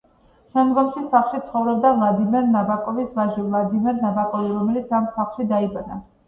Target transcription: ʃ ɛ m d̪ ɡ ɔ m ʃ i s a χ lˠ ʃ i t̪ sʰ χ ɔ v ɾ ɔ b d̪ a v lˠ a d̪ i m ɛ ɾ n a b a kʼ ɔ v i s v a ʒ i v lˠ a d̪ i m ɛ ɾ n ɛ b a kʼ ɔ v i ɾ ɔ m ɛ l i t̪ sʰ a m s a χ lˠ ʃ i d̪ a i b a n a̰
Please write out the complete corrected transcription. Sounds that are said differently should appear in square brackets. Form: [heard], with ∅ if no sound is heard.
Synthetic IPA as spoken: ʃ ɛ m d̪ ɡ ɔ m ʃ i s a χ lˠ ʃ i t̪ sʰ χ ɔ v ɾ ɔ b d̪ a v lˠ a d̪ i m ɛ ɾ n a b a kʼ ɔ v i s v a ʒ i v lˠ a d̪ i m ɛ ɾ n [a] b a kʼ ɔ v i ɾ ɔ m ɛ l i t̪ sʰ a m s a χ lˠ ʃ i d̪ a i b a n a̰